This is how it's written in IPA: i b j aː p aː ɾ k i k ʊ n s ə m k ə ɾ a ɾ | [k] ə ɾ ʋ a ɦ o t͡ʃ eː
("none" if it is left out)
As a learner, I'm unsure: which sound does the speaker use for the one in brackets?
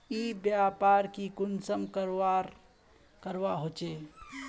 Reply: k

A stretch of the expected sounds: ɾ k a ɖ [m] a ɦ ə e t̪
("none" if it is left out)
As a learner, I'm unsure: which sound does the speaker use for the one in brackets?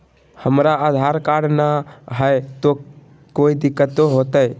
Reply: n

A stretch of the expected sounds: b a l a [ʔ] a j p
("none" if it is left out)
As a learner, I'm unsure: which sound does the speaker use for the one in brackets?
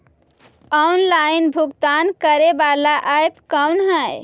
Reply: ʔ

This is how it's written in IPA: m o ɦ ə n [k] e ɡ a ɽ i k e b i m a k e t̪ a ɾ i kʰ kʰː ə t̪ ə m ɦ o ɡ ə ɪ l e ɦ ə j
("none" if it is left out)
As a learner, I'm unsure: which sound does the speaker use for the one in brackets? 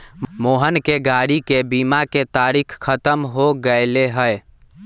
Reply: k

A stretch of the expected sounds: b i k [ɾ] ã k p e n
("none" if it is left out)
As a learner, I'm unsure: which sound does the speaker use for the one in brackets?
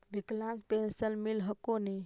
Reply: l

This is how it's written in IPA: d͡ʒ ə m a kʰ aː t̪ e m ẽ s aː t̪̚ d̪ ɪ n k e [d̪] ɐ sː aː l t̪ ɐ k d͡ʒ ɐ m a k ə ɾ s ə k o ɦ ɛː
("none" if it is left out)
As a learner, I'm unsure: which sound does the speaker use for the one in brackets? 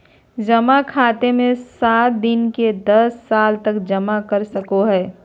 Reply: d̪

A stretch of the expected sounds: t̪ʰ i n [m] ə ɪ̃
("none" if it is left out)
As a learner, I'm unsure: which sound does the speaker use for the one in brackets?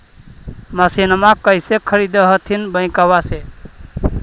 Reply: b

